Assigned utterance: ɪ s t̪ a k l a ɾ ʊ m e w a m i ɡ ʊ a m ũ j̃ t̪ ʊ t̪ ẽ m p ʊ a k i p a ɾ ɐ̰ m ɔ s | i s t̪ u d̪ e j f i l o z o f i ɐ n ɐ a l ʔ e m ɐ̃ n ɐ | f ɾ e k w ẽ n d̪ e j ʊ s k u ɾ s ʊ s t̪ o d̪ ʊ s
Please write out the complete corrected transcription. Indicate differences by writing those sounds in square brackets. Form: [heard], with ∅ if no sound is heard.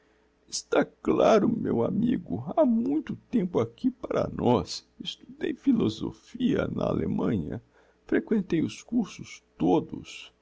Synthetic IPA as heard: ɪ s t̪ a k l a ɾ ʊ m e w a m i ɡ ʊ a m ũ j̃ t̪ ʊ t̪ ẽ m p ʊ a k i p a ɾ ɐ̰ [n] ɔ s | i s t̪ u d̪ e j f i l o z o f i ɐ n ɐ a l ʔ e m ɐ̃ [ɲ] ɐ | f ɾ e k w ẽ n [t̪] e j ʊ s k u ɾ s ʊ s t̪ o d̪ ʊ s